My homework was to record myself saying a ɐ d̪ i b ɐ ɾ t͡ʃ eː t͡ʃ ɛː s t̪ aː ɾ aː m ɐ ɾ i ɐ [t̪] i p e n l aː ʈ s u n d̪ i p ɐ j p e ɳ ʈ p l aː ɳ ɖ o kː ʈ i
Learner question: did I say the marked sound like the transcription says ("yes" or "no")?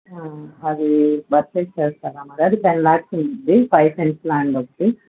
no